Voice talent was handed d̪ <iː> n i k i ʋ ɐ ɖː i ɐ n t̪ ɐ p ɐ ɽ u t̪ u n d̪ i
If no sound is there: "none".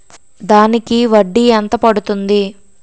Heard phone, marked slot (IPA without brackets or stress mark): aː